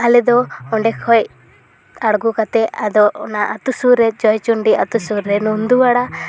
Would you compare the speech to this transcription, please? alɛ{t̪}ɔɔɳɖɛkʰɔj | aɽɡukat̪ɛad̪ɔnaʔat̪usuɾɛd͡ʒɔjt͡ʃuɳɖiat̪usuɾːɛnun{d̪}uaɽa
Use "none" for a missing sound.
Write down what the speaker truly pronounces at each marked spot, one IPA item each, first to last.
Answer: d̪, d̪

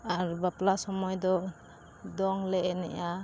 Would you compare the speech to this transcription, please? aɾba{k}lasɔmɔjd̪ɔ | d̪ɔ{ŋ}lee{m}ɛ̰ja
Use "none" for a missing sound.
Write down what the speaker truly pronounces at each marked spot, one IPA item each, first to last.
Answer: p, ŋ, n

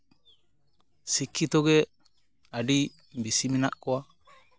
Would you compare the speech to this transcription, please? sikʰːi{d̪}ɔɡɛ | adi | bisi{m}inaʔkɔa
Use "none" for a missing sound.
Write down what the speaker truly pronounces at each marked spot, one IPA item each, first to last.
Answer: t̪, m

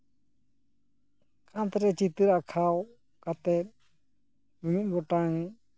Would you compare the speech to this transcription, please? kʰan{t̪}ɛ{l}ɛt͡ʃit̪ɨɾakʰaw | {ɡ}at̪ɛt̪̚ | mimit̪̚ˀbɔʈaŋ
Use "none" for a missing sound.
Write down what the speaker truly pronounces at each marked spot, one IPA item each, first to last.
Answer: t̪, ɾ, k

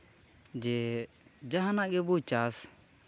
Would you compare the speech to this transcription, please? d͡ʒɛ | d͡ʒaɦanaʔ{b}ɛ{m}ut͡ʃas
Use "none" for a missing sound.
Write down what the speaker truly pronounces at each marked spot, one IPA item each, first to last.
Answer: ɡ, b

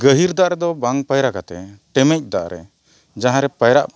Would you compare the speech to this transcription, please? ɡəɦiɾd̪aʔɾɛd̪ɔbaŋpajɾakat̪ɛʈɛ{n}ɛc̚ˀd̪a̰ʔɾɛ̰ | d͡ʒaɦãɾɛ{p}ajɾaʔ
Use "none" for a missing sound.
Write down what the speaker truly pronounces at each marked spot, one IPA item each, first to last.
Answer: m, p

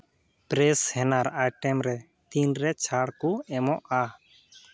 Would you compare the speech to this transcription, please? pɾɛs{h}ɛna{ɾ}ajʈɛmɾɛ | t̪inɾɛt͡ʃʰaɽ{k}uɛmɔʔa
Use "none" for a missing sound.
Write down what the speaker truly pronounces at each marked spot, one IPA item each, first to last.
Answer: h, ɾ, k

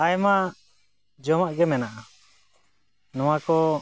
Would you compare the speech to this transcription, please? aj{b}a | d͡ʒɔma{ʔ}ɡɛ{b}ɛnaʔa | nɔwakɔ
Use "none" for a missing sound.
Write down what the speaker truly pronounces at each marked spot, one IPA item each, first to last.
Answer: m, ʔ, m

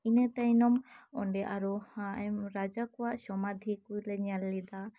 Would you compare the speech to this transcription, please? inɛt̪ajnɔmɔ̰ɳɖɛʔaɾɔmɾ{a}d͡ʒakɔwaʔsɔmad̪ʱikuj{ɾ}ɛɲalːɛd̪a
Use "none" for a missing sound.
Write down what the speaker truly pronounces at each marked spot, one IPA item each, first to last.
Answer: a, l

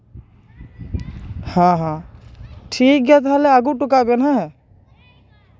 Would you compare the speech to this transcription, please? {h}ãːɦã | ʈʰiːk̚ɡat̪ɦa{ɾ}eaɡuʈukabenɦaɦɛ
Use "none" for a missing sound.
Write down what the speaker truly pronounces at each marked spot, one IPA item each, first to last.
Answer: h, l

